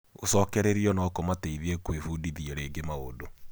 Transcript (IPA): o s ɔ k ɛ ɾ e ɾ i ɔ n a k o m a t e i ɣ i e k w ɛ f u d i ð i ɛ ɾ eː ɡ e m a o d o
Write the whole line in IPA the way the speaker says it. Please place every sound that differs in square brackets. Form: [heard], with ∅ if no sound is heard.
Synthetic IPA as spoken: o s ɔ k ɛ ɾ e ɾ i ɔ n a k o m a t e i [ð] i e k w [e] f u d i ð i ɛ ɾ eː ɡ e m a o d o